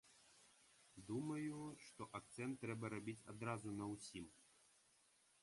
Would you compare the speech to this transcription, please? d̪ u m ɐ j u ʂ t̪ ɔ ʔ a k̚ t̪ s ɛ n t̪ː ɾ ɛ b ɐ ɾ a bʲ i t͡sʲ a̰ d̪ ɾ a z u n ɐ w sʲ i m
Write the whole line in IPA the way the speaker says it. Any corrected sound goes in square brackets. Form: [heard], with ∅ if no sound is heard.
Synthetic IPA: d̪ u m ɐ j u ʂ t̪ ɔ ʔ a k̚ t̪ s ɛ n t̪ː ɾ ɛ b ɐ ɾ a bʲ i t͡sʲ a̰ d̪ ɾ a z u n ɐ w sʲ i m